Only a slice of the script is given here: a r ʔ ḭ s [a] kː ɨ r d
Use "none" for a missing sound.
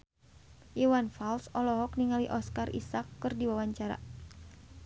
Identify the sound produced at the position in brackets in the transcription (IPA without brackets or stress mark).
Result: a